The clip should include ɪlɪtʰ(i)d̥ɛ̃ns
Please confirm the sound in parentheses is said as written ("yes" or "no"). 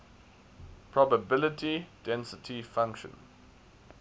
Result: yes